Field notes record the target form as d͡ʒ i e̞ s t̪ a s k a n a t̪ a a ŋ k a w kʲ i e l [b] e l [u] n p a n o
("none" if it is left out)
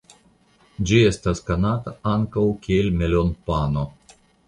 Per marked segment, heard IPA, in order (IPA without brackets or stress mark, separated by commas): m, o